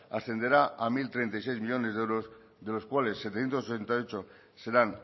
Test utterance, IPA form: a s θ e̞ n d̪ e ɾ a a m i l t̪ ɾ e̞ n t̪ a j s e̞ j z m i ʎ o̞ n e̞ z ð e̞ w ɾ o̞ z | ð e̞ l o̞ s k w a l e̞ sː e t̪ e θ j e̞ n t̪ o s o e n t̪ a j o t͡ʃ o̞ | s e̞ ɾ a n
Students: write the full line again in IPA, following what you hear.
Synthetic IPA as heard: a s θ e̞ n d̪ e ɾ a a m i l t̪ ɾ e̞ n t̪ a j s e̞ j z m i ʎ o̞ n e̞ z ð e̞ w ɾ o̞ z | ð e̞ l o̞ s k w a l e̞ sː e t̪ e θ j e̞ n t̪ o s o e n t̪ a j o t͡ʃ o̞ | s e̞ ɾ a n